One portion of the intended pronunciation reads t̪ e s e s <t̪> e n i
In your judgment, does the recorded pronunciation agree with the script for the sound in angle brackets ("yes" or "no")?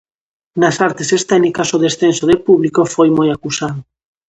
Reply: yes